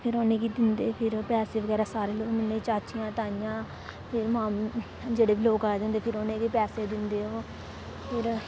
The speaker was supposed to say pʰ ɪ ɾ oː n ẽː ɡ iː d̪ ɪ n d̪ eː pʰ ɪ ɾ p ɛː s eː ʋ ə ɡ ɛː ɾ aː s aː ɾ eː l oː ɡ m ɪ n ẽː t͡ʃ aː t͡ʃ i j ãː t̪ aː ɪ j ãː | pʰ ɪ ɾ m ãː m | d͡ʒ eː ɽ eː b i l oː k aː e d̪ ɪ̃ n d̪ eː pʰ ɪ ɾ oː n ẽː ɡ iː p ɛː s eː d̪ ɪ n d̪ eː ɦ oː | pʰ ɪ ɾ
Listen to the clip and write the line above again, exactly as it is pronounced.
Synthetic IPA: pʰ ɪ ɾ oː n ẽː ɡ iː d̪ ɪ n d̪ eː pʰ ɪ ɾ p ɛː s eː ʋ ə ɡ ɛː ɾ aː s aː ɾ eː l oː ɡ m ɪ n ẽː t͡ʃ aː t͡ʃ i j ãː t̪ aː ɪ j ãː | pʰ ɪ ɾ m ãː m | d͡ʒ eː ɽ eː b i l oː k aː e d̪ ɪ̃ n d̪ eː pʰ ɪ ɾ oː n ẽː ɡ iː p ɛː s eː d̪ ɪ n d̪ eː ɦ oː | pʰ ɪ ɾ